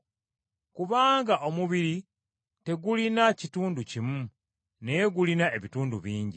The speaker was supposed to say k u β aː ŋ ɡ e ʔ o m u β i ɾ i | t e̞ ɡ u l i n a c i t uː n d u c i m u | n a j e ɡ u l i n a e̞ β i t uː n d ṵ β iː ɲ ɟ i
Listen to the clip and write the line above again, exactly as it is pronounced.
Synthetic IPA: k u β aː ŋ ɡ a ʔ o m u β i ɾ i | t e̞ ɡ u l i n a c i t uː n d u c i m u | n e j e ɡ u l i n a e̞ β i t uː n d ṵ β iː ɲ ɟ i

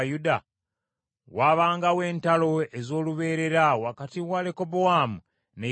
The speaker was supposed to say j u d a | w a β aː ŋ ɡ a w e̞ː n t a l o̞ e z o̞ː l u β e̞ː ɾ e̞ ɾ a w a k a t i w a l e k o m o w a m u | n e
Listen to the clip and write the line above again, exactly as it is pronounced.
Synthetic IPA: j u d a | w a β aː ŋ ɡ a w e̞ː n t a l o̞ e z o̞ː l u β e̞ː ɾ e̞ ɾ a w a k a t i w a l e k o b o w a m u | n e

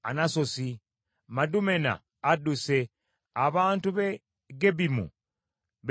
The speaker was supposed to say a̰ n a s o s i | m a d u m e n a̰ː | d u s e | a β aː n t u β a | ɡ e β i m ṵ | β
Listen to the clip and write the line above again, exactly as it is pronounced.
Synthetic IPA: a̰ n a s o s i | m a d u m e n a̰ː | d u s e | a β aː n t u β e | ɡ e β i m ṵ | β

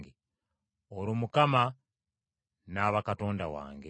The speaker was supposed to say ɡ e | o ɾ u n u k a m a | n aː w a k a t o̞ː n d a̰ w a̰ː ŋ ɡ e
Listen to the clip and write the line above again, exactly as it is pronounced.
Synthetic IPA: ɡ e | o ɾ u m u k a m a | n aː β a k a t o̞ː n d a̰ w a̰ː ŋ ɡ e

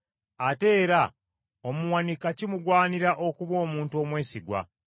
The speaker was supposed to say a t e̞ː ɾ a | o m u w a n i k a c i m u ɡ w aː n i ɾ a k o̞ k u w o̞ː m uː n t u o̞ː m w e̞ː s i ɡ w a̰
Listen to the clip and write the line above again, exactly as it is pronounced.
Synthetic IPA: a t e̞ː ɾ a | o m u w a n i k a c i m u ɡ w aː n i ɾ a ʔ o̞ k u β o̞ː m uː n t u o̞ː m w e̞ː s i ɡ w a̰

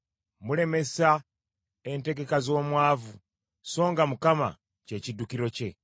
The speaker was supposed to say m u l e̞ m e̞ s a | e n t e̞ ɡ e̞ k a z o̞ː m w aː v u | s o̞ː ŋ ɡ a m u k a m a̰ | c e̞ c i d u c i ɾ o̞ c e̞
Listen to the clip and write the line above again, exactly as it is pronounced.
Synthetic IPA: m u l e̞ m e̞ s a | e n t e̞ ɡ e̞ k a z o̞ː m w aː v u | s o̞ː ŋ ɡ a m u k a m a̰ | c e̞ c i d u k i ɾ o̞ c e̞

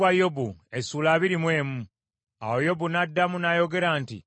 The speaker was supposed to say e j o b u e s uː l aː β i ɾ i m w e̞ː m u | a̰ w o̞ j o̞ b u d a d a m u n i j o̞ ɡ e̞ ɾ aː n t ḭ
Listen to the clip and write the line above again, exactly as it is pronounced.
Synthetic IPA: a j o b u e s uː l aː β i ɾ i m w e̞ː m u | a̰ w o̞ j o̞ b u n a dː a m u n a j o̞ ɡ e̞ ɾ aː n t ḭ

